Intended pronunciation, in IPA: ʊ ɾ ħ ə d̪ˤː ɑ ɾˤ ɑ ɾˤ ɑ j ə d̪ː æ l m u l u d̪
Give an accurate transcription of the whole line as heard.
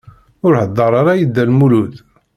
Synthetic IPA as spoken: ʊ ɾ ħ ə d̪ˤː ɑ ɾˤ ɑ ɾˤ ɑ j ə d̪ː æ l m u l u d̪